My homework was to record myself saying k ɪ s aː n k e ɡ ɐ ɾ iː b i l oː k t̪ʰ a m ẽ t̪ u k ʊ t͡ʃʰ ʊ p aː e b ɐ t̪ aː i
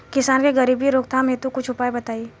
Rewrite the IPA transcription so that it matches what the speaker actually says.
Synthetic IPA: k ɪ s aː n k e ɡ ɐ ɾ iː b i ɾ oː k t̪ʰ a m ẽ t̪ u k ʊ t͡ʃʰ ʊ p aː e b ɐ t̪ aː i